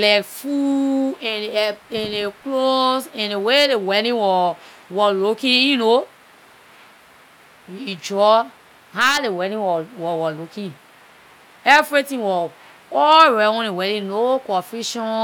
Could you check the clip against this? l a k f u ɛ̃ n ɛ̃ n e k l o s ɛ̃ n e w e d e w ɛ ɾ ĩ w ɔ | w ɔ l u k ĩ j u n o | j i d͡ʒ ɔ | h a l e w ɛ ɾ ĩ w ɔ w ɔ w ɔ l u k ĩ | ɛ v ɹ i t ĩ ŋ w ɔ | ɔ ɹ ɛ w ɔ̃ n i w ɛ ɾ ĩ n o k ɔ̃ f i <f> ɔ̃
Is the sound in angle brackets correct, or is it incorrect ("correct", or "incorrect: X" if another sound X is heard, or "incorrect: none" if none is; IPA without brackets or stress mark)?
incorrect: ʃ